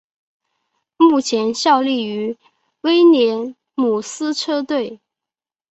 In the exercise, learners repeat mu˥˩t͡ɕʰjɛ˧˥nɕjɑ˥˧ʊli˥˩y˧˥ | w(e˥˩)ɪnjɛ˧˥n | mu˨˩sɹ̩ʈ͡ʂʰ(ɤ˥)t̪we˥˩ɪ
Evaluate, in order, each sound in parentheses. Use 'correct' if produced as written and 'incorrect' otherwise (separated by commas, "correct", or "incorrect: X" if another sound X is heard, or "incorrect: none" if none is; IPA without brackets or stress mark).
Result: incorrect: e˥, correct